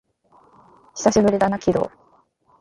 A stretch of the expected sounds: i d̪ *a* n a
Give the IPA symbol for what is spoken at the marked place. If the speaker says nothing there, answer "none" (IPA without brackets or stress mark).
a